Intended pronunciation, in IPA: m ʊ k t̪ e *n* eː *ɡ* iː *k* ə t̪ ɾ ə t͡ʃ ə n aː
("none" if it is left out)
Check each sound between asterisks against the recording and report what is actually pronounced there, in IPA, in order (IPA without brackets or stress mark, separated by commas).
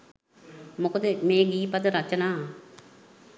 m, ɡ, p